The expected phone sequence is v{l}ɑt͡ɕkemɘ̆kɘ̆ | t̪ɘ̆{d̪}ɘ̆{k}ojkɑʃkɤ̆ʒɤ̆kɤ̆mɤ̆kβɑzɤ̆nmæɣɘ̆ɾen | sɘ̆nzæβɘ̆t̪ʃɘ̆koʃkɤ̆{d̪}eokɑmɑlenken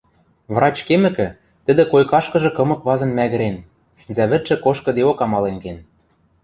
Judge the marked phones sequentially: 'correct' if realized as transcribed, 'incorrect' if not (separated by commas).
incorrect, correct, correct, correct